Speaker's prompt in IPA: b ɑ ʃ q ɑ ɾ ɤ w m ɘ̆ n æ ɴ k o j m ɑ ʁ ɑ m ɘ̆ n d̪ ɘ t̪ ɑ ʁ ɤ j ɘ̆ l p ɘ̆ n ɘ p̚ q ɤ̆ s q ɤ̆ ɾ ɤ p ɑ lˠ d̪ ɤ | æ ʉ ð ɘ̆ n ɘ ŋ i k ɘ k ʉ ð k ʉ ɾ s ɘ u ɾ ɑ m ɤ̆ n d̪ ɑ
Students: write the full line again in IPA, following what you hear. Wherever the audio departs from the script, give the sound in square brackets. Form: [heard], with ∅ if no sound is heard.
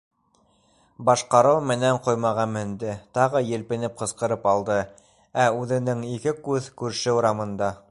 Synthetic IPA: b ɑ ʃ q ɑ ɾ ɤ w m ɘ̆ n æ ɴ [q] o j m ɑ ʁ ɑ m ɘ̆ n d̪ ɘ t̪ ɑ ʁ ɤ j ɘ̆ l p ɘ̆ n ɘ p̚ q ɤ̆ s q ɤ̆ ɾ ɤ p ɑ lˠ d̪ ɤ | æ ʉ ð ɘ̆ n ɘ ŋ i k ɘ k ʉ ð k ʉ ɾ [ʃ] ɘ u ɾ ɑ m ɤ̆ n d̪ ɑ